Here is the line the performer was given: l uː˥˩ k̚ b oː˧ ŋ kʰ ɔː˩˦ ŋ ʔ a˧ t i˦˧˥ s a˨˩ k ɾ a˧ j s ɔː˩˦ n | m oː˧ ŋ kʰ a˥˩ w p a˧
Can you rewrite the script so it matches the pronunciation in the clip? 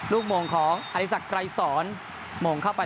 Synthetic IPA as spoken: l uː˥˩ k̚ m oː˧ ŋ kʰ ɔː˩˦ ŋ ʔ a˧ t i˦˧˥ s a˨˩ k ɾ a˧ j s ɔː˩˦ n | m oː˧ ŋ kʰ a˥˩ w p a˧